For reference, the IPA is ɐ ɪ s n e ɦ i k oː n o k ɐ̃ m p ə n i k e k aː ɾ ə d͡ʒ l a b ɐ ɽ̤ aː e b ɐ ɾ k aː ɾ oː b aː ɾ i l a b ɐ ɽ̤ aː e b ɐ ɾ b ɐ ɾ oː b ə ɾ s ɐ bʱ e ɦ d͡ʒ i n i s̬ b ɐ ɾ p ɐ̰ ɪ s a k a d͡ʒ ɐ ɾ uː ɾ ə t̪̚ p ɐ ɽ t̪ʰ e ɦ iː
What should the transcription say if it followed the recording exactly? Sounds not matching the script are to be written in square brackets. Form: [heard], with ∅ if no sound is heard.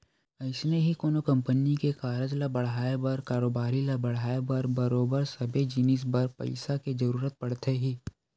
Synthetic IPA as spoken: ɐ ɪ s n e ɦ i k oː n o k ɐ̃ m p ə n i k e k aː ɾ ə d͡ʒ l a b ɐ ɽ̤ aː e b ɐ ɾ k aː ɾ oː b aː ɾ i l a b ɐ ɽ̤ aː e b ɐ ɾ b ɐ ɾ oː b ə ɾ s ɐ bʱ e [∅] d͡ʒ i n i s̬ b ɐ ɾ p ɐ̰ ɪ s a k [e] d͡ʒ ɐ ɾ uː ɾ ə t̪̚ p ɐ ɽ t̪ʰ e ɦ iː